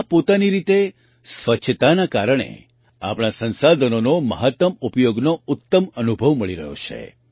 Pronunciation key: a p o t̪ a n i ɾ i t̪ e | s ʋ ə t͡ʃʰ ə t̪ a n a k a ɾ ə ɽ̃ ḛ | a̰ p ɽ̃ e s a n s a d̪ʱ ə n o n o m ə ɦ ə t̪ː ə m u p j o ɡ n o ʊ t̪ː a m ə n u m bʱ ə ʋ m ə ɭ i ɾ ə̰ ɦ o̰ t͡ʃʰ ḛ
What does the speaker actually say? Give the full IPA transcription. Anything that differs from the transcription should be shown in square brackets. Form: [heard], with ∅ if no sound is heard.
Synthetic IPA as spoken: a p o t̪ a n i ɾ i t̪ e | s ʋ ə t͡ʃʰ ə t̪ a n a k a ɾ ə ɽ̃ ḛ | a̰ p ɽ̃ [a] s [ə] n s a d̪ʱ ə n o n o m ə ɦ ə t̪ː ə m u p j o ɡ n o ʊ t̪ː [ə] m ə n u [∅] bʱ ə ʋ m ə ɭ i ɾ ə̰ ɦ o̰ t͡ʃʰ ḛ